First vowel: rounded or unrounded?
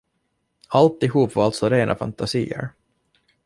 unrounded